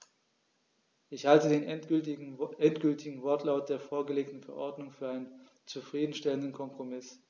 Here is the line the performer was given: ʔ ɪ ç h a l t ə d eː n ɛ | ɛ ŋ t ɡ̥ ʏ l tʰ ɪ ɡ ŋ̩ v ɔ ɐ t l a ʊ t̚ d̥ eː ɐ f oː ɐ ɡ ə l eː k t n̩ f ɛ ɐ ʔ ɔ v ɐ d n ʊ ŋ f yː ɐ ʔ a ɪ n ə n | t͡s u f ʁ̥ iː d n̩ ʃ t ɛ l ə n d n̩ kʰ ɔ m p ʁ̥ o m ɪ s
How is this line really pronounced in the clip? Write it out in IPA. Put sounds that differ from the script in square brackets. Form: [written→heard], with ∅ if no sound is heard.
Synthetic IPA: ʔ ɪ ç h a l t ə d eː n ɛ | ɛ [ŋ→n] t ɡ̥ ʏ l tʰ ɪ ɡ ŋ̩ v ɔ ɐ t l a ʊ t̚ d̥ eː ɐ f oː ɐ ɡ ə l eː k t n̩ f ɛ ɐ ʔ ɔ [v→∅] ɐ d n ʊ ŋ f yː ɐ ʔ a ɪ n ə n | t͡s u f ʁ̥ iː d n̩ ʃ t ɛ l ə n d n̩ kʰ ɔ m p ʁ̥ o m ɪ s